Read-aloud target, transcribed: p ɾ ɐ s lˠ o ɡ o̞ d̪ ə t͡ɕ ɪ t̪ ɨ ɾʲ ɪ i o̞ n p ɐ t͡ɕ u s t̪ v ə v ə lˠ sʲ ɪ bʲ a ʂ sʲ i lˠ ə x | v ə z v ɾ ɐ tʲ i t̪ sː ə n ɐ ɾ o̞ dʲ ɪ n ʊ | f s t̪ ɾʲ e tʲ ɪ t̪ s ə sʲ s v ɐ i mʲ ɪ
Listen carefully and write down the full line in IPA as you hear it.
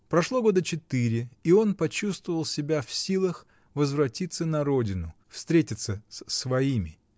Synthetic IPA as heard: p ɾ ɐ ʂ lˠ o ɡ o̞ d̪ ə t͡ɕ ɪ t̪ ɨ ɾʲ ɪ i o̞ n p ɐ t͡ɕ u s t̪ v ə v ə lˠ sʲ ɪ bʲ a f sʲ i lˠ ə x | v ə z v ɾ ɐ tʲ i t̪ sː ə n ɐ ɾ o̞ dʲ ɪ n ʊ | f s t̪ ɾʲ e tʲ ɪ t̪ s ə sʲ s v ɐ i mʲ ɪ

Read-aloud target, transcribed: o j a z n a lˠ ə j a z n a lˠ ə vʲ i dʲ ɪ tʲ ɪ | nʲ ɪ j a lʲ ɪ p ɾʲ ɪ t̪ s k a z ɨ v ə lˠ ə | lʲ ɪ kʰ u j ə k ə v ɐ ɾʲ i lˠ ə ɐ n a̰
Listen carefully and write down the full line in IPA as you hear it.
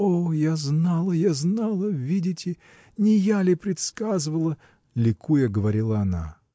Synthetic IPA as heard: o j a z n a lˠ ə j a z n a lˠ ə vʲ i dʲ ɪ tʲ ɪ | nʲ ɪ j a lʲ ɪ p ɾʲ ɪ t̪ s k a z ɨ v ə lˠ ə | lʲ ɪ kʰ u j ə ɡ ə v ɐ ɾʲ i lˠ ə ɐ n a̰

